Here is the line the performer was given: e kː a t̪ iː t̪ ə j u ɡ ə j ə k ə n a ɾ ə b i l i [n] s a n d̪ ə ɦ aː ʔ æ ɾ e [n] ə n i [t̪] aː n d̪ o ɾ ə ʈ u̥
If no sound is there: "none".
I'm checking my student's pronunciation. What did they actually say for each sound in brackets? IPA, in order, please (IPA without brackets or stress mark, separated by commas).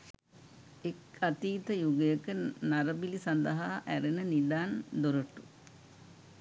none, n, d̪